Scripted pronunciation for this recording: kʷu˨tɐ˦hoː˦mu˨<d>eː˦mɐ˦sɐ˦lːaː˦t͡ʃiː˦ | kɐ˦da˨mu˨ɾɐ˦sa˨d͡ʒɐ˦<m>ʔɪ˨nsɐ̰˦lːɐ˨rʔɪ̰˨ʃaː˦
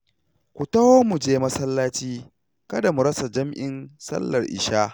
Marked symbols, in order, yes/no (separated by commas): no, yes